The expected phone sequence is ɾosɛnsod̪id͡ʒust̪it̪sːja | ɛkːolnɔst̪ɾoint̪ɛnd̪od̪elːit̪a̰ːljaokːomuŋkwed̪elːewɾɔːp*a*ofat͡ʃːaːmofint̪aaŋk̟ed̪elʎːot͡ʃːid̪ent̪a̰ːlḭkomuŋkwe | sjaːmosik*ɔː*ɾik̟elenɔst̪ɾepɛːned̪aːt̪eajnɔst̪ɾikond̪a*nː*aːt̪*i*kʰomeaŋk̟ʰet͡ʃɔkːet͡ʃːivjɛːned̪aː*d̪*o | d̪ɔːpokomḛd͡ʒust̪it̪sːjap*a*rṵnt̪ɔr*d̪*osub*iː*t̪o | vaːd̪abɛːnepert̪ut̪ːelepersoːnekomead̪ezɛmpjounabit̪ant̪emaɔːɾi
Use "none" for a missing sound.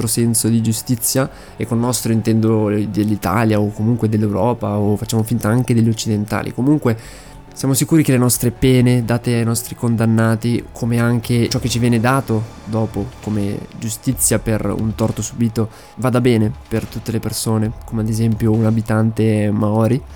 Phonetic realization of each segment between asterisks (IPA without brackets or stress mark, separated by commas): a, uː, nː, i, t̪, e, t̪, iː